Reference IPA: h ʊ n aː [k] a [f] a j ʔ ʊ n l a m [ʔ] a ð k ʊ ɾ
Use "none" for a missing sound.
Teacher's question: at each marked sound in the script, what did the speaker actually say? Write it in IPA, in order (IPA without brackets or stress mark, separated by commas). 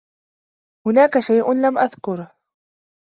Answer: k, ʃ, ʔ